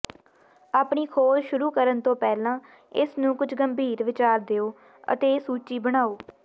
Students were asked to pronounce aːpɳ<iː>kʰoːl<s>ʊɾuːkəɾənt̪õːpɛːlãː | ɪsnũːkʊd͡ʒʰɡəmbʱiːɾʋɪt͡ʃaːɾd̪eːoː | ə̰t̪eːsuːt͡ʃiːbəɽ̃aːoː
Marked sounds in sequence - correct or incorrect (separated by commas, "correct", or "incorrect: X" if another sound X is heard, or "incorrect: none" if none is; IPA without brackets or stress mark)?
correct, incorrect: ʃ